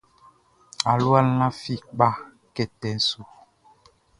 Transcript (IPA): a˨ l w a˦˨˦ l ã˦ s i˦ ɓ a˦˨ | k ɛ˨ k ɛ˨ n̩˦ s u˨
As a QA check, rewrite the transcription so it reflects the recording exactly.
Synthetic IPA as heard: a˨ l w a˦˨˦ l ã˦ f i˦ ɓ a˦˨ | k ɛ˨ t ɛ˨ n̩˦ s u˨